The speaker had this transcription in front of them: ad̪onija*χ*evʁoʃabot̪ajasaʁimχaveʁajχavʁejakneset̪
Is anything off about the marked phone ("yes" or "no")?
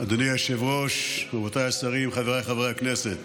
yes